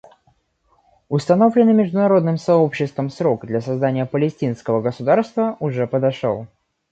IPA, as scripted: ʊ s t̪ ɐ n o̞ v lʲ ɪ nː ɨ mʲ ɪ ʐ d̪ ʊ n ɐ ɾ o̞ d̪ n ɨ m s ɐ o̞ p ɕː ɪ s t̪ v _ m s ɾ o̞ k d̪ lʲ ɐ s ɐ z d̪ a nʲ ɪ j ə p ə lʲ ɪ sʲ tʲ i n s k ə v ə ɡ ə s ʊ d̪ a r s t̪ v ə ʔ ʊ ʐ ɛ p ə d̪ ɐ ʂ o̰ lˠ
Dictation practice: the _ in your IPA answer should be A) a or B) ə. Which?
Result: B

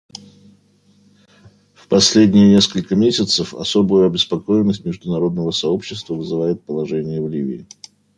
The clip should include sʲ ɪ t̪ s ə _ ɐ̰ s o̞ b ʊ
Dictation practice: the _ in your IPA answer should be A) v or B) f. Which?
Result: B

